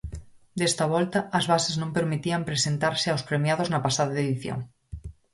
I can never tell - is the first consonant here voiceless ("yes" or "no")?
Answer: no